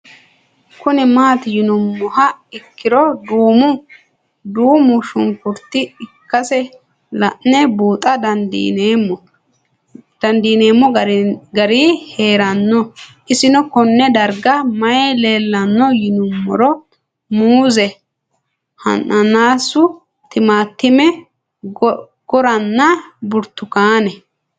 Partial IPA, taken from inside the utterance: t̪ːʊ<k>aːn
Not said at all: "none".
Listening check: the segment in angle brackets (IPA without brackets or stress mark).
k